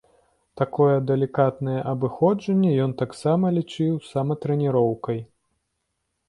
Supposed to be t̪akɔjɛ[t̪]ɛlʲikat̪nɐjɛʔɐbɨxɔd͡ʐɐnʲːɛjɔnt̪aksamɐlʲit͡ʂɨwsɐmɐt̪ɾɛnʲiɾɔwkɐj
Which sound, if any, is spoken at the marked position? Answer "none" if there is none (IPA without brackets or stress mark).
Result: d̪